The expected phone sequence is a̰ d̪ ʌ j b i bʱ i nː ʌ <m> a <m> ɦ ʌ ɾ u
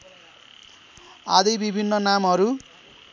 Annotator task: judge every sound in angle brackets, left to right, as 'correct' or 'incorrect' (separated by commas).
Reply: incorrect, correct